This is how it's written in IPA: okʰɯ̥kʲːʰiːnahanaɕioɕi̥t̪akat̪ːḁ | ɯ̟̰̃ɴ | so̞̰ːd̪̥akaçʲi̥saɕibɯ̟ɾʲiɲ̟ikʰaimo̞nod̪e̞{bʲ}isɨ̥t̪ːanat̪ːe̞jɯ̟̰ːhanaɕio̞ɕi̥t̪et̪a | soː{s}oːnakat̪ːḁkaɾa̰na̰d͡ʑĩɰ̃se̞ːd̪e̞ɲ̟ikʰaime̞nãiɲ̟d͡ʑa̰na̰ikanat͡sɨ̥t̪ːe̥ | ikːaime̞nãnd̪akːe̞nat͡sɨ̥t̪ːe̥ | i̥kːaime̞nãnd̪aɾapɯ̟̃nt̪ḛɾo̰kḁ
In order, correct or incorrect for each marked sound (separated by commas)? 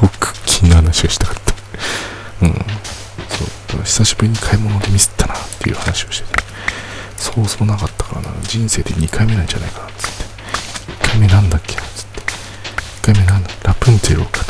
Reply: incorrect, correct